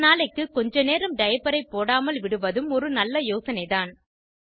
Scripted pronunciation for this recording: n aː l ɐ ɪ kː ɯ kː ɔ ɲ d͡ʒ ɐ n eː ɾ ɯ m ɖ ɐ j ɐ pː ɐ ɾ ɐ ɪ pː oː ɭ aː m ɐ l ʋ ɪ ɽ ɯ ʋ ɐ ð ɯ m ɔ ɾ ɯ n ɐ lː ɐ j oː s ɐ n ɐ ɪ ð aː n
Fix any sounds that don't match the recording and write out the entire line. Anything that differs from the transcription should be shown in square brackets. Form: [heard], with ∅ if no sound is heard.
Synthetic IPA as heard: n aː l ɐ ɪ kː ɯ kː ɔ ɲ d͡ʒ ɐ n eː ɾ ɯ m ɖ ɐ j ɐ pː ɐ ɾ ɐ ɪ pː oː [ɽ] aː m ɐ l ʋ ɪ ɽ ɯ ʋ ɐ ð ɯ m ɔ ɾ ɯ n ɐ lː ɐ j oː s ɐ n ɐ ɪ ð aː n